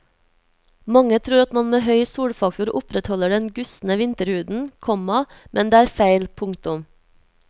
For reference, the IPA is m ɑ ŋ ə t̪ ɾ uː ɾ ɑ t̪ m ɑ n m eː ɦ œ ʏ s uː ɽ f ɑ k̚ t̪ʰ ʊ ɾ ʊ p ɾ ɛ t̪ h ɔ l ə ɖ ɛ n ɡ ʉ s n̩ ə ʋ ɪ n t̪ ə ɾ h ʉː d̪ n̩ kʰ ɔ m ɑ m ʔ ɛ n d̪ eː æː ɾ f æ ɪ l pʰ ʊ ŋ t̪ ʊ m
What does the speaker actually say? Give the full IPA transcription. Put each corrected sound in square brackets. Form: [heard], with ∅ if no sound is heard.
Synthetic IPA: m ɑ ŋ ə [t̪ʰ] ɾ uː ɾ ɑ t̪ m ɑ n m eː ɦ œ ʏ s uː ɽ f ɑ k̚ [t̪] ʊ ɾ ʊ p ɾ ɛ t̪ h ɔ l ə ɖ ɛ n ɡ ʉ s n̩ ə ʋ ɪ n t̪ ə ɾ h ʉː d̪ n̩ kʰ ɔ m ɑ m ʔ ɛ n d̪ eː æː ɾ f æ ɪ l pʰ ʊ ŋ t̪ ʊ m